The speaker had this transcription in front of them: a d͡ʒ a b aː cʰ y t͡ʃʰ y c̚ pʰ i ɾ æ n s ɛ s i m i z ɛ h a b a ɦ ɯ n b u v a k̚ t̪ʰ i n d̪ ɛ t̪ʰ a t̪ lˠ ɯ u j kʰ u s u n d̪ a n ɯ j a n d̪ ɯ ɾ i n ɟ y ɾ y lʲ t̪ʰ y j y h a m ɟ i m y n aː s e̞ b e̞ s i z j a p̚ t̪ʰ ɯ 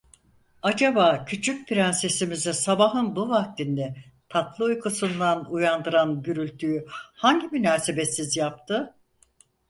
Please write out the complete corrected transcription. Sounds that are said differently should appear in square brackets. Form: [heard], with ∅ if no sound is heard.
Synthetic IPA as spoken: a d͡ʒ a b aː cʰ y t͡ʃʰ y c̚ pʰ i ɾ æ n s [e] s i m i z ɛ [s] a b a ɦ ɯ n b u v a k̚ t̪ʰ i n d̪ ɛ t̪ʰ a t̪ lˠ ɯ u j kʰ u s u n d̪ a n [u] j a n d̪ ɯ ɾ [a] n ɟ y ɾ y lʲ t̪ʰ y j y h a [ɲ] ɟ i m y n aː s e̞ b e̞ s i z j a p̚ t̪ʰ ɯ